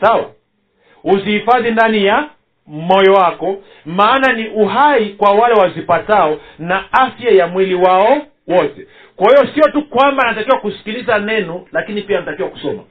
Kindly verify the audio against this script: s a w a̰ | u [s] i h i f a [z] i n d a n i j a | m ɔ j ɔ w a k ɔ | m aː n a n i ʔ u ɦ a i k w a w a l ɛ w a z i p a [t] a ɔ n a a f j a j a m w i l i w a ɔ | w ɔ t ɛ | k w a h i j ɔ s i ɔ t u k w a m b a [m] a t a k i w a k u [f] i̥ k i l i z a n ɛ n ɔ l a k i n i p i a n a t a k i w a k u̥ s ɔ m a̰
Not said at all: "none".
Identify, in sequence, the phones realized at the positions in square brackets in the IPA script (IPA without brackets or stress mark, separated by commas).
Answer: z, ð, t, n, s